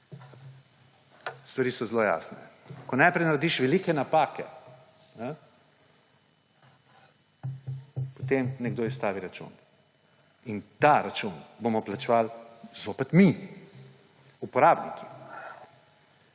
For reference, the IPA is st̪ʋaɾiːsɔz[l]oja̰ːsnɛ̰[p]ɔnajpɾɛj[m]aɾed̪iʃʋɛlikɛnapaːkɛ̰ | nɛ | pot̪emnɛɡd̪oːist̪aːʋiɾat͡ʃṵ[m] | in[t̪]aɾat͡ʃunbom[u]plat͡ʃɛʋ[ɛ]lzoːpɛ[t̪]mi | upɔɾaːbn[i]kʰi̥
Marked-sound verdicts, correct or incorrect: correct, incorrect, incorrect, incorrect, correct, incorrect, incorrect, correct, correct

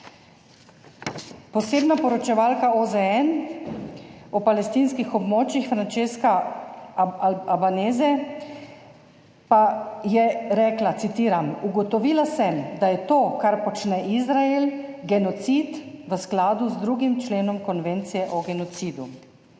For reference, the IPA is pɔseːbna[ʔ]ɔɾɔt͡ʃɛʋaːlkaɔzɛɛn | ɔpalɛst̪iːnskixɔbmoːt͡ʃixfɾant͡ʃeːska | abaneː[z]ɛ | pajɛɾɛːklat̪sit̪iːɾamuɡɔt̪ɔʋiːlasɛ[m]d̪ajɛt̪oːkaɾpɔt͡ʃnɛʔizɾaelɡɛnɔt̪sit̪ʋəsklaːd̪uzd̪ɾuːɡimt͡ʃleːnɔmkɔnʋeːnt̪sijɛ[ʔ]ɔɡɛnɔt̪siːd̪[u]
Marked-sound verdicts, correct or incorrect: incorrect, correct, correct, correct, correct

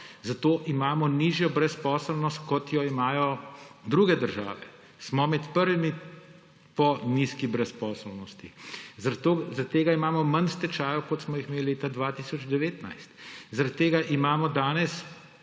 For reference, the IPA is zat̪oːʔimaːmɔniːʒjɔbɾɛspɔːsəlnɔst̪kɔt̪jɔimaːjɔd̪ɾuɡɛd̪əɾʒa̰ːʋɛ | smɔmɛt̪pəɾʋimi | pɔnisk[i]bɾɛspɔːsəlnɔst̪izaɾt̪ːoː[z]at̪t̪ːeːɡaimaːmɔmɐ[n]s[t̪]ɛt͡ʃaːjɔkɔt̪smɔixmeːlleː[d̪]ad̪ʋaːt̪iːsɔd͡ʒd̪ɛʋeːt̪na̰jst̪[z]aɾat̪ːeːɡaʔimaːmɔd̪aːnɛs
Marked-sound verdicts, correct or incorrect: correct, correct, correct, correct, incorrect, correct

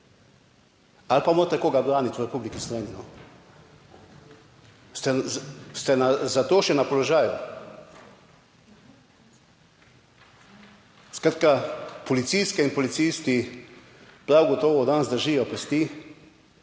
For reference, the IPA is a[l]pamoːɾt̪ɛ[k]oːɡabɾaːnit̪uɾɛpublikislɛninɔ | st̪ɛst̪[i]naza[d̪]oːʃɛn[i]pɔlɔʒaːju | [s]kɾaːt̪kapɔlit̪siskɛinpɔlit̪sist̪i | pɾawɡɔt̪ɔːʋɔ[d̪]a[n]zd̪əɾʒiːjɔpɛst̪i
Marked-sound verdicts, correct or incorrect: correct, correct, incorrect, incorrect, incorrect, correct, correct, correct

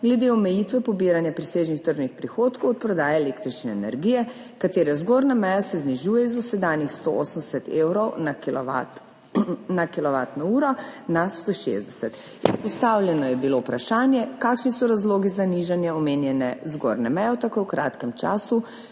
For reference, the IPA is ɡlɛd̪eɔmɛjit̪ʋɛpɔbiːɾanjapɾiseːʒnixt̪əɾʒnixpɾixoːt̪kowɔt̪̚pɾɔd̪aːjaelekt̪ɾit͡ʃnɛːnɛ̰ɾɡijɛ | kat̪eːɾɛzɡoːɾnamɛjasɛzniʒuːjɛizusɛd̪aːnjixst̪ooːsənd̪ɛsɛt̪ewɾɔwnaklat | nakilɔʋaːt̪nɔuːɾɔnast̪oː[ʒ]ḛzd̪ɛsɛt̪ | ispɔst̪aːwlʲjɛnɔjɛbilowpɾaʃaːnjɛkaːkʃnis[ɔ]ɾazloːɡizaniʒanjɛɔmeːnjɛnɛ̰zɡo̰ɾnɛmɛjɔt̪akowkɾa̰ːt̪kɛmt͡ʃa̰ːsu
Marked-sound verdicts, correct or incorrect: incorrect, correct

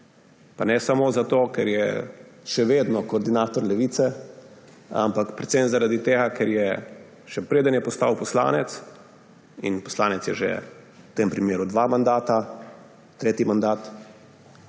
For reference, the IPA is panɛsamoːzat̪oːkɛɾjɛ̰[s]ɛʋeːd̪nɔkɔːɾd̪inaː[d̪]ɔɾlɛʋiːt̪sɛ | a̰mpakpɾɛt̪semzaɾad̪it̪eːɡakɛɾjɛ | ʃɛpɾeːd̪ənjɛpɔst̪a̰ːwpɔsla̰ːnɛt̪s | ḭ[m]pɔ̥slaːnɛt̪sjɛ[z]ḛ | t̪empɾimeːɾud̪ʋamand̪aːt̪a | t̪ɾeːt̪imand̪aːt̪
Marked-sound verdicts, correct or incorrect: incorrect, incorrect, incorrect, incorrect

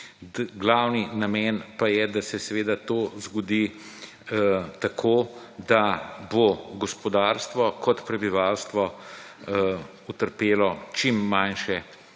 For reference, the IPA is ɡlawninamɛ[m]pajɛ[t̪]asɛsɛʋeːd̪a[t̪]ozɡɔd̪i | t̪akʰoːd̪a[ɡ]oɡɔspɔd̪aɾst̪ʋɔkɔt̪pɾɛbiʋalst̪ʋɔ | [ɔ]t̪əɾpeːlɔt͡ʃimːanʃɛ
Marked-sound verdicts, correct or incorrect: incorrect, incorrect, correct, incorrect, incorrect

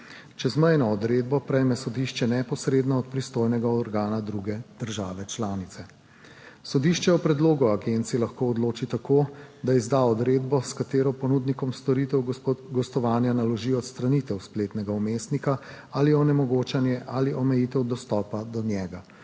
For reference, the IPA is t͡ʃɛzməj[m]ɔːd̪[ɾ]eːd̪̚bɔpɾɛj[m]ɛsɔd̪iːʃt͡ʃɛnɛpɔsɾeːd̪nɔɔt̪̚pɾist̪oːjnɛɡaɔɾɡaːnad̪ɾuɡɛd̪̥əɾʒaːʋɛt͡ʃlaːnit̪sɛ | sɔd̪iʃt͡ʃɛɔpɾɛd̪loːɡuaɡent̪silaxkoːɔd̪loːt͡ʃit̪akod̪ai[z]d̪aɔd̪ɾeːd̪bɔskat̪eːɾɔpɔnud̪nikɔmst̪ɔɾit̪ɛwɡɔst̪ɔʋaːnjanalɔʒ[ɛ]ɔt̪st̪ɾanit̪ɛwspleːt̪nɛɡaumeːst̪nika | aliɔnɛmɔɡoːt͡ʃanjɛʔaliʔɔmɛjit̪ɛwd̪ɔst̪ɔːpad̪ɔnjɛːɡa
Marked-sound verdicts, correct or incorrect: incorrect, correct, correct, correct, incorrect

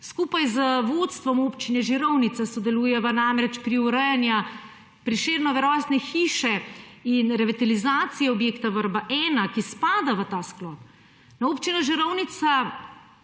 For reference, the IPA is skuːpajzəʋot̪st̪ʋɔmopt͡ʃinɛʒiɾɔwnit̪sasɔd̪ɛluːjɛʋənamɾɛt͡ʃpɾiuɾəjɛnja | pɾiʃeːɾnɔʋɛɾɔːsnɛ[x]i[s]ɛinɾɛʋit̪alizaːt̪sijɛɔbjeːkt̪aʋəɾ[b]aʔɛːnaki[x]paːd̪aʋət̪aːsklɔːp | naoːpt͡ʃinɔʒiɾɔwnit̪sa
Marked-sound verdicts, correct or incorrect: correct, incorrect, correct, incorrect

